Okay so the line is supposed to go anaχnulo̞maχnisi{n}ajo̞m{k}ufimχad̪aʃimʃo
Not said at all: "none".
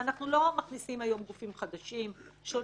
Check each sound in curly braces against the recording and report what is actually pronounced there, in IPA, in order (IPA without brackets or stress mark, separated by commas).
m, ɡ